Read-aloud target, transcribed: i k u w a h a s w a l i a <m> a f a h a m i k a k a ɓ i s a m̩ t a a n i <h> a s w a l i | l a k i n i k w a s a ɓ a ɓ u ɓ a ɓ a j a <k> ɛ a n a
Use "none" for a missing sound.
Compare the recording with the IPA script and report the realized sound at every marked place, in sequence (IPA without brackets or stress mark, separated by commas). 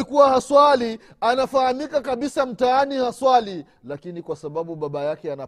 n, h, k